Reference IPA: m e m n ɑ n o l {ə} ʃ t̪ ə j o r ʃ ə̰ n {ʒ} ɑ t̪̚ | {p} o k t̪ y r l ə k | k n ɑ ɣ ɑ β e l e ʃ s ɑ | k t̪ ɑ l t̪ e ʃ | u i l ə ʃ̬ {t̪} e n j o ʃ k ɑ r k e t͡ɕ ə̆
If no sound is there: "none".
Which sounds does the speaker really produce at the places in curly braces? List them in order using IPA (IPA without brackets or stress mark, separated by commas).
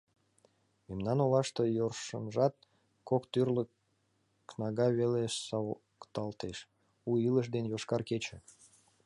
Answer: ɑ, ʒ, k, d̪